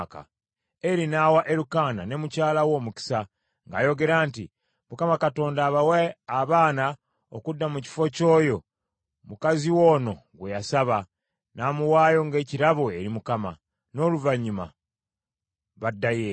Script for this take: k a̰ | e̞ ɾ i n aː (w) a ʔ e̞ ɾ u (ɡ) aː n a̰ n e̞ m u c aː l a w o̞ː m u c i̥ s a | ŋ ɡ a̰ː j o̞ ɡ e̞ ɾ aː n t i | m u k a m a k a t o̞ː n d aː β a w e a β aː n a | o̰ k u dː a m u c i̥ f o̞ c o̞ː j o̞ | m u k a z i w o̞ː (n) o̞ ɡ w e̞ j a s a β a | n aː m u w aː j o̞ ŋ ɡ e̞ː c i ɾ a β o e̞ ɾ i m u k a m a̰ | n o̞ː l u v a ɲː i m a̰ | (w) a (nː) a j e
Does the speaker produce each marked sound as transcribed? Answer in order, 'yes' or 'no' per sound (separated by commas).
yes, no, yes, no, no